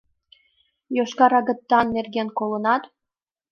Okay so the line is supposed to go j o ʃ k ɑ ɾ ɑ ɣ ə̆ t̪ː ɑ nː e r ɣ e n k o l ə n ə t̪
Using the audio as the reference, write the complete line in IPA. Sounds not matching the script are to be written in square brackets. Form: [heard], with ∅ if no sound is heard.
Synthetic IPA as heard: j o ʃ k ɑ ɾ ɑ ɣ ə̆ t̪ː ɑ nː e r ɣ e n k o l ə n [ɑ] t̪